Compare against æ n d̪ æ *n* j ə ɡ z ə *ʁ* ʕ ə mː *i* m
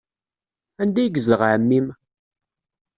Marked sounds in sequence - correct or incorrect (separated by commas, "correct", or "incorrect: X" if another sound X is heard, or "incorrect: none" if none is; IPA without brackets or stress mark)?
incorrect: none, correct, correct